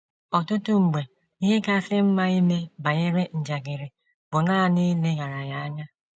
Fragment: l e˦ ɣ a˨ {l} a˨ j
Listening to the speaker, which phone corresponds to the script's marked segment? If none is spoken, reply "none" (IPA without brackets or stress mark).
ɾ